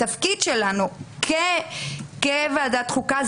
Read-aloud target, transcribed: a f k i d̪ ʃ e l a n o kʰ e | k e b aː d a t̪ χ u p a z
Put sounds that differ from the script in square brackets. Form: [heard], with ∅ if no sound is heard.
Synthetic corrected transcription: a f k i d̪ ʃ e l a n [u] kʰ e | k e [v] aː d a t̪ χ u [k] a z